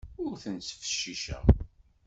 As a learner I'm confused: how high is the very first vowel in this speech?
high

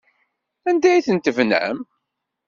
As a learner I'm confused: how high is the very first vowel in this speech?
low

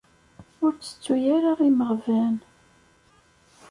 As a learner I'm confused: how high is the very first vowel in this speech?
high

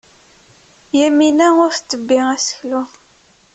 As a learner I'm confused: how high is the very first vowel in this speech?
low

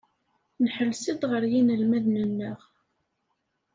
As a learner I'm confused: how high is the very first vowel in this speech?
mid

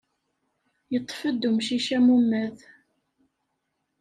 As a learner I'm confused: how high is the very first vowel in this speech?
mid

